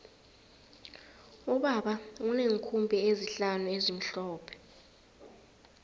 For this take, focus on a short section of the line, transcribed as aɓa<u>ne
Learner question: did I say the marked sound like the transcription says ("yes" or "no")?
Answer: yes